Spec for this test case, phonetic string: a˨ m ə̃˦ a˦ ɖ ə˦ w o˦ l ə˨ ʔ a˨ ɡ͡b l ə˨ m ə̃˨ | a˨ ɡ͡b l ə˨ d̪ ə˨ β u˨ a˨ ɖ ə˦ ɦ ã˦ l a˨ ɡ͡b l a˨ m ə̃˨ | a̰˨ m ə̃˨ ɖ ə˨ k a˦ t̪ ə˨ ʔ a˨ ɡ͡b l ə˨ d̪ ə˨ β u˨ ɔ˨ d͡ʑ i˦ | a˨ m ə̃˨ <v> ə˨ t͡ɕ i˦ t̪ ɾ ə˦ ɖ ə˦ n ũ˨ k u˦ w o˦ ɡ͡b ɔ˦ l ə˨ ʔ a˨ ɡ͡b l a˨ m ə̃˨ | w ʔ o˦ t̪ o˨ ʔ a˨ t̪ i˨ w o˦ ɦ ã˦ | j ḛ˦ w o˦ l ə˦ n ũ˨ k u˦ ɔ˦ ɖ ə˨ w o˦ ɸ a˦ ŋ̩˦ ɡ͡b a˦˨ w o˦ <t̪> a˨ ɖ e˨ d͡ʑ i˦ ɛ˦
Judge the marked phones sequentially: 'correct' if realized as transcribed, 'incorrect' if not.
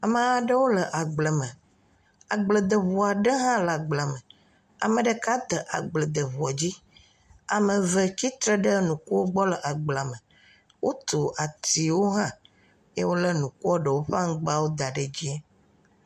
correct, incorrect

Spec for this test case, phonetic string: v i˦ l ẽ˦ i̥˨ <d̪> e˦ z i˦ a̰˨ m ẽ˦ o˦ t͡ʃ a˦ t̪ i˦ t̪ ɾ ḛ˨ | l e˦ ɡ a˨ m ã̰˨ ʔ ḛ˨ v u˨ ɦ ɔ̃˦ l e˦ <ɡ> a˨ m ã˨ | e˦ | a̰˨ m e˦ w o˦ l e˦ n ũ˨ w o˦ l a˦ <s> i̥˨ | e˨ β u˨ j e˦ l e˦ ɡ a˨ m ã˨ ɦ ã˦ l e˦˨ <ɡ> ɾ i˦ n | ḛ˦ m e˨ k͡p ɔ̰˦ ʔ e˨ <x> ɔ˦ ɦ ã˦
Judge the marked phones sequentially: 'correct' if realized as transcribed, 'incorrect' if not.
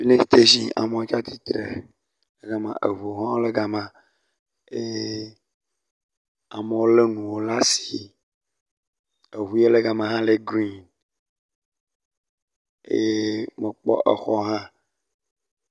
incorrect, correct, correct, correct, correct

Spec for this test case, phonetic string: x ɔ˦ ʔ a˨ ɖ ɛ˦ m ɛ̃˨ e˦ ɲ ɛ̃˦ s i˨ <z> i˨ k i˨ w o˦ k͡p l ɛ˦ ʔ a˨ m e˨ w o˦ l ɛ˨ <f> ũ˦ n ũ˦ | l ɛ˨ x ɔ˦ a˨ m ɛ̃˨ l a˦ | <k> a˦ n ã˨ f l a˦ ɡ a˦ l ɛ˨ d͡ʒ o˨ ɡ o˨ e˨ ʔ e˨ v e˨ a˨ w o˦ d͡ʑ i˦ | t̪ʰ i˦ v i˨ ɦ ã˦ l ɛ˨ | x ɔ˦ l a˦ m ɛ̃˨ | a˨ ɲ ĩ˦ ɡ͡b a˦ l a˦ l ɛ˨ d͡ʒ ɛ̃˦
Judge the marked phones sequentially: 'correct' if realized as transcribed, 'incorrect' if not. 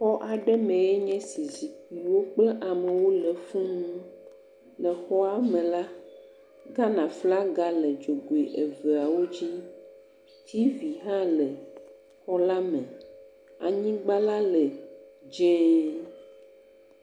correct, correct, incorrect

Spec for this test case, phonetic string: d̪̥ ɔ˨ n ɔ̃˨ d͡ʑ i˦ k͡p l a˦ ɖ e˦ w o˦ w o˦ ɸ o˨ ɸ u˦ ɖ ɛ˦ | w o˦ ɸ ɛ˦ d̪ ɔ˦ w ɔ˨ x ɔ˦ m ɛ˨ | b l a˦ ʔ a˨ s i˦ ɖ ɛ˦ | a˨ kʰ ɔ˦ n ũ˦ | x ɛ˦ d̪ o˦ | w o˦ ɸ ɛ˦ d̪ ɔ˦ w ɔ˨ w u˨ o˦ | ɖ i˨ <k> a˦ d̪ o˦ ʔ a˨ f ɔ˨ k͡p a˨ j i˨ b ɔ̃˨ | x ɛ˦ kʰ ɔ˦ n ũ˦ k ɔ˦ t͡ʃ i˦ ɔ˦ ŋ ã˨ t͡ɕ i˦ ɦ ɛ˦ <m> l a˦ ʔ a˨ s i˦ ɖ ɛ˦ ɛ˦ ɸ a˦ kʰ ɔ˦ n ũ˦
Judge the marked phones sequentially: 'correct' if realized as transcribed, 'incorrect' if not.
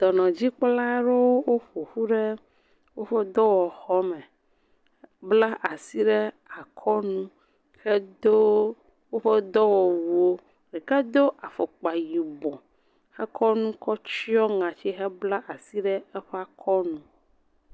correct, incorrect

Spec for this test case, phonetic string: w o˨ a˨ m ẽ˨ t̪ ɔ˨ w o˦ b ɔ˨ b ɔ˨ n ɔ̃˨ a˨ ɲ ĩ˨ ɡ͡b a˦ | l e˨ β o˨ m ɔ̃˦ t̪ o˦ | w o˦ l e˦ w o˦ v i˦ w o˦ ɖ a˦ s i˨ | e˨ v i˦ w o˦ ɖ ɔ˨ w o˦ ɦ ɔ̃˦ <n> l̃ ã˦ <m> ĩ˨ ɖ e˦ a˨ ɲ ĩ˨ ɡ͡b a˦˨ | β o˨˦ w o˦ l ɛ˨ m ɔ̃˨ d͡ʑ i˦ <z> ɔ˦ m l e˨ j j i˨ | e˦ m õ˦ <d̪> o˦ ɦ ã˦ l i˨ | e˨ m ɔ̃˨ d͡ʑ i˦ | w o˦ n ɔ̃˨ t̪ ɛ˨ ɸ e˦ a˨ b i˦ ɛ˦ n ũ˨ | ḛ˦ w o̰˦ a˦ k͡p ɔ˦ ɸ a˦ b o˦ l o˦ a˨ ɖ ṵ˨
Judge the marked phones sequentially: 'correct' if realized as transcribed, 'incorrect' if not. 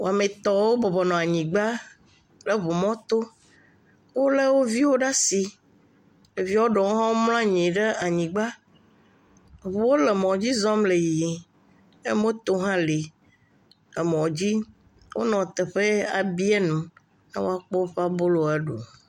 incorrect, incorrect, correct, incorrect

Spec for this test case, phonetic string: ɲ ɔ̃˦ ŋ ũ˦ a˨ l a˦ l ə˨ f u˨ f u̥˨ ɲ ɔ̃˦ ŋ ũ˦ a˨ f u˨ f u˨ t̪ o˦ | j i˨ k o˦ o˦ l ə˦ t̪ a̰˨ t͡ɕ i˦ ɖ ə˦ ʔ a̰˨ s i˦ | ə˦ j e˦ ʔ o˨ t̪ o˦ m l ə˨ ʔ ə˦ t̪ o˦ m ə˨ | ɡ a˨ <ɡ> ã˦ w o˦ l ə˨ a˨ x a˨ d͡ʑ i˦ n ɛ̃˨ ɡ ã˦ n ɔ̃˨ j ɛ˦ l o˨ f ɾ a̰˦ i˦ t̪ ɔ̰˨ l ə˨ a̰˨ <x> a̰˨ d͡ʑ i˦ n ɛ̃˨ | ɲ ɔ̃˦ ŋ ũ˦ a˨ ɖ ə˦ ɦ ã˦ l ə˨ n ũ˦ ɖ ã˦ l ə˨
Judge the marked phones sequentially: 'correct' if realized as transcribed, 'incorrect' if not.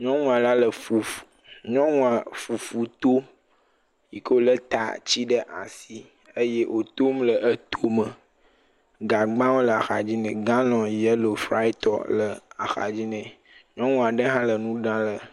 incorrect, correct

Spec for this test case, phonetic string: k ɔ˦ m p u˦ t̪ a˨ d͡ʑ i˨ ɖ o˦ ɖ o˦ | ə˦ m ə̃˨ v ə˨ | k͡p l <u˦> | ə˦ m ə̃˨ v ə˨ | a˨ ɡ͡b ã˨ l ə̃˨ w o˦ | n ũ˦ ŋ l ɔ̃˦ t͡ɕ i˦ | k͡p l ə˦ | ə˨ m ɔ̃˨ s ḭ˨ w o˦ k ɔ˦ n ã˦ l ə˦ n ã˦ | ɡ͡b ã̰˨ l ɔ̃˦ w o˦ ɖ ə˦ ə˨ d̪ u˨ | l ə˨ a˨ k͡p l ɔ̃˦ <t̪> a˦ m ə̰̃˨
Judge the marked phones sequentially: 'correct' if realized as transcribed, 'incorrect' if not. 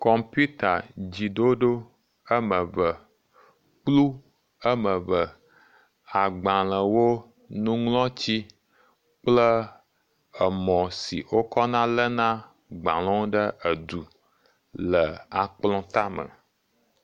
correct, correct

